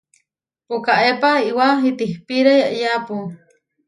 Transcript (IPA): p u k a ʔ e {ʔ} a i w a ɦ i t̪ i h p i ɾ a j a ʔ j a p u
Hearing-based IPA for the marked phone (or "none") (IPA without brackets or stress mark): p